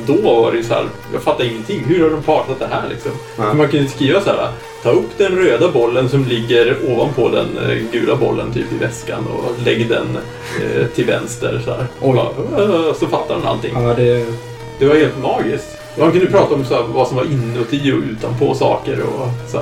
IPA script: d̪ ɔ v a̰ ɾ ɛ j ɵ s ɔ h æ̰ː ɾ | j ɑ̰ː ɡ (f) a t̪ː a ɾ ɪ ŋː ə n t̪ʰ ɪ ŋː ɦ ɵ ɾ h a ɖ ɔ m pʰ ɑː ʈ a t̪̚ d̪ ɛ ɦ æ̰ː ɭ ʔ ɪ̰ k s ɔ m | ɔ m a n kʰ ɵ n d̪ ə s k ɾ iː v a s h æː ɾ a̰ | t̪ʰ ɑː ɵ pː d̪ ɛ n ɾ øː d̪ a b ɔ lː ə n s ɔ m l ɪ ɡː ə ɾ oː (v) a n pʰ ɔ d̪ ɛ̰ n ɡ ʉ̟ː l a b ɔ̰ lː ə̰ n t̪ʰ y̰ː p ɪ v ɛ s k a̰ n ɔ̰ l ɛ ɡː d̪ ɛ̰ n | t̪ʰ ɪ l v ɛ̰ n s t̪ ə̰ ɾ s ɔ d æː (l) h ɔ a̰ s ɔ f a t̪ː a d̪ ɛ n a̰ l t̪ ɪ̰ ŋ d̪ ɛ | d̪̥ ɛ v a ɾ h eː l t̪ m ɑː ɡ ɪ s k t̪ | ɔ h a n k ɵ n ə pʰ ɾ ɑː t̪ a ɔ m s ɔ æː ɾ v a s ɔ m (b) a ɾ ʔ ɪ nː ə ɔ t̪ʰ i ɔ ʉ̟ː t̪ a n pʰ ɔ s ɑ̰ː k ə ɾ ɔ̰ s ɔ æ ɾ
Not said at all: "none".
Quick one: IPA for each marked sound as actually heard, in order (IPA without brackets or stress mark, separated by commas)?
f, v, ɾ, v